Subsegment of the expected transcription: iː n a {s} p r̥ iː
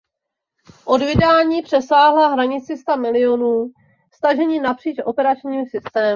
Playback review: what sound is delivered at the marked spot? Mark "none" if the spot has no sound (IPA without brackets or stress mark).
none